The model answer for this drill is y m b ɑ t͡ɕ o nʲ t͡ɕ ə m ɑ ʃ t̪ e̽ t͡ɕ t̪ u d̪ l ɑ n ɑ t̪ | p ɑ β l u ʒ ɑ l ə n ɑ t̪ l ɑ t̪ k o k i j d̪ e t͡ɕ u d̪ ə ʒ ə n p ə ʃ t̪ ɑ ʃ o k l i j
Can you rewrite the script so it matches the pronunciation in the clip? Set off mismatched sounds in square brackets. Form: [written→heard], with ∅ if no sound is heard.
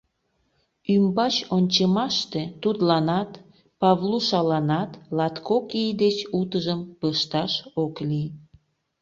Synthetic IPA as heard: y m b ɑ t͡ɕ o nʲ t͡ɕ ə m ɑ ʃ t̪ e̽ [t͡ɕ→∅] t̪ u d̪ l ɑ n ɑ t̪ | p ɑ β l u [ʒ→ʃ] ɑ l [ə→ɑ] n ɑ t̪ l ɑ t̪ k o k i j d̪ e t͡ɕ u [d̪→t̪] ə ʒ ə [n→m] p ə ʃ t̪ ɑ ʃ o k l i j